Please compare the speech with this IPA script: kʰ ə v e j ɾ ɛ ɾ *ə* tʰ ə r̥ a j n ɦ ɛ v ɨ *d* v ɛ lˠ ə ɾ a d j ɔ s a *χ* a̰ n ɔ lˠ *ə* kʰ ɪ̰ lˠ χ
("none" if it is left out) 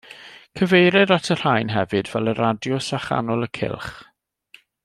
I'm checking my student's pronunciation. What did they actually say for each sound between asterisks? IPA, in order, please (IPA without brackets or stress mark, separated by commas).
a, d, χ, ə